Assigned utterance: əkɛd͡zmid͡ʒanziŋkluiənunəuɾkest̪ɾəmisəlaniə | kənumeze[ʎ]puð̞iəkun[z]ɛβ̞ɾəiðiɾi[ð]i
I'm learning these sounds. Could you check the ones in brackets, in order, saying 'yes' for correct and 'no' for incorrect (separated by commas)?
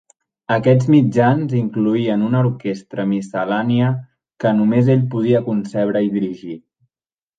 yes, no, no